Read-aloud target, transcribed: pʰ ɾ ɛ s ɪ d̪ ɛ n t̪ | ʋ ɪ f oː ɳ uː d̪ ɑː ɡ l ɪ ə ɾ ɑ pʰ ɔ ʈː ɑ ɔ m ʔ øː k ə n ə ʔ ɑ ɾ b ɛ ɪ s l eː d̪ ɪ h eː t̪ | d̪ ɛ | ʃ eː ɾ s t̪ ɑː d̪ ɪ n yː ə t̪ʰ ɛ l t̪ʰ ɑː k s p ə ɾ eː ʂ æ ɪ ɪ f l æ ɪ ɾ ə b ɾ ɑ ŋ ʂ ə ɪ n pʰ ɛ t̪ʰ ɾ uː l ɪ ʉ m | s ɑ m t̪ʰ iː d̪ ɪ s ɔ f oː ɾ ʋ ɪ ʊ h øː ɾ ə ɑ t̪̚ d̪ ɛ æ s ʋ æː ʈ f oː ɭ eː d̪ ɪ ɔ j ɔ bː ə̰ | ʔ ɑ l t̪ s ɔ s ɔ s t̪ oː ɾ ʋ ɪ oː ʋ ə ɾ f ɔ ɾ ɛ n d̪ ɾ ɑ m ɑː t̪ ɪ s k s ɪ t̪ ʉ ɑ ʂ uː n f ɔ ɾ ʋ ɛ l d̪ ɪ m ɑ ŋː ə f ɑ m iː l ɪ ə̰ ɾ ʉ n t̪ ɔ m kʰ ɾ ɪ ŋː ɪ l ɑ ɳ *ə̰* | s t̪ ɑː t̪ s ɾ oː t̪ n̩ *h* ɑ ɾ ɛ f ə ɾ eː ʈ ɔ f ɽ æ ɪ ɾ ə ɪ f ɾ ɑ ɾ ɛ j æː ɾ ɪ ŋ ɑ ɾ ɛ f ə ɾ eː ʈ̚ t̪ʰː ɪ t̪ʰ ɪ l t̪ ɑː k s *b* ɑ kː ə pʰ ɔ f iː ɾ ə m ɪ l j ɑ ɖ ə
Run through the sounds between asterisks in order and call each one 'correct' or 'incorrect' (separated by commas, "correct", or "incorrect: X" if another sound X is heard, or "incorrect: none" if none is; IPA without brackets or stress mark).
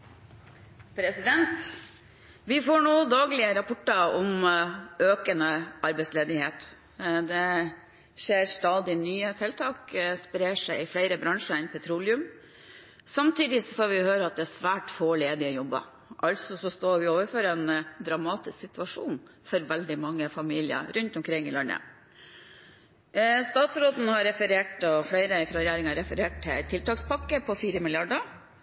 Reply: correct, correct, incorrect: p